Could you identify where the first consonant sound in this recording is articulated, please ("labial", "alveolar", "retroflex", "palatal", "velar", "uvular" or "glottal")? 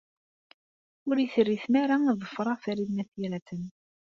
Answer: alveolar